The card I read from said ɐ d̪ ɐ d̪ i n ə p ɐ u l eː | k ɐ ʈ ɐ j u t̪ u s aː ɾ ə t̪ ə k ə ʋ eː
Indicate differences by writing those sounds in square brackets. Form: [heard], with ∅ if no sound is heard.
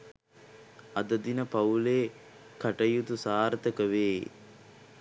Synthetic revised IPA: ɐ d̪ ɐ d̪ i n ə p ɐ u l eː | k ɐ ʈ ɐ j u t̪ u s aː ɾ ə t̪ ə k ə ʋ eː